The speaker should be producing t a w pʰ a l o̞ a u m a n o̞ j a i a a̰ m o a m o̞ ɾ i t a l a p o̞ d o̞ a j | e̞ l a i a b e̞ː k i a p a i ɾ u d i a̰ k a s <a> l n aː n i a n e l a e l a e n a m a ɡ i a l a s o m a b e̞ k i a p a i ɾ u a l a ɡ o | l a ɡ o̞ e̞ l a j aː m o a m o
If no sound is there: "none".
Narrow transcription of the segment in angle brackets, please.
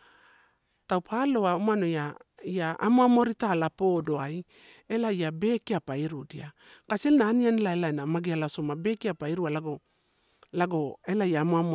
e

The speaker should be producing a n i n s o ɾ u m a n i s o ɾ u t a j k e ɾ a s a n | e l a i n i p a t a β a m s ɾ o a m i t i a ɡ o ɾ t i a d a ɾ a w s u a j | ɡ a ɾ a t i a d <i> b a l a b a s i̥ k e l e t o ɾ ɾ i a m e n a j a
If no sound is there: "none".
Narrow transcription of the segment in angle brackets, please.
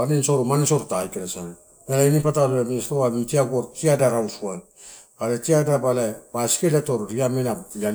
a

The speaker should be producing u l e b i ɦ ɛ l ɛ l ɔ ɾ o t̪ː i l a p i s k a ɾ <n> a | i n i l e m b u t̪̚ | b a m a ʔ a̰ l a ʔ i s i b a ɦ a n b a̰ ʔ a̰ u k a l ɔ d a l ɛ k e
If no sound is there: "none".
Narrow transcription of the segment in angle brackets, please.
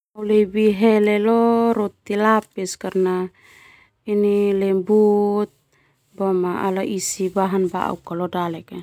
n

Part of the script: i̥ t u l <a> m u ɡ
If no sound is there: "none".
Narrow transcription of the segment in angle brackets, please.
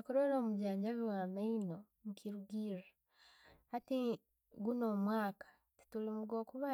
i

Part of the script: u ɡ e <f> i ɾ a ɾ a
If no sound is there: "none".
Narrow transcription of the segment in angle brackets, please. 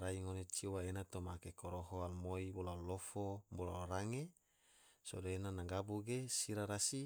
s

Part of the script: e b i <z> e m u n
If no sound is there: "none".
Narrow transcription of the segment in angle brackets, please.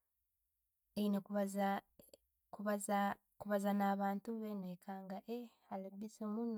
s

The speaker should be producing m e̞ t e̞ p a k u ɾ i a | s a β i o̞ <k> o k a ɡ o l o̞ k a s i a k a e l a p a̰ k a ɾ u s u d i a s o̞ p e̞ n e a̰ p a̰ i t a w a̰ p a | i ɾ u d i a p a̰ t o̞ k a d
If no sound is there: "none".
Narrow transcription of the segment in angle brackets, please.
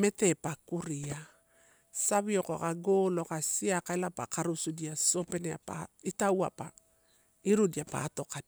k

